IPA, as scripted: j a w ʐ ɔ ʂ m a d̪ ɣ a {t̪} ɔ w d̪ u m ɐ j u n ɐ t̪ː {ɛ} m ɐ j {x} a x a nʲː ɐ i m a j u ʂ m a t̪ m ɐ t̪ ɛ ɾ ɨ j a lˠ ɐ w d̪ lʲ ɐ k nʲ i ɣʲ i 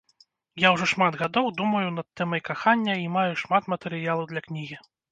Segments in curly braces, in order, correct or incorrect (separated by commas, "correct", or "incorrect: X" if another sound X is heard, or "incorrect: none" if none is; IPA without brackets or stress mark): incorrect: d̪, correct, incorrect: k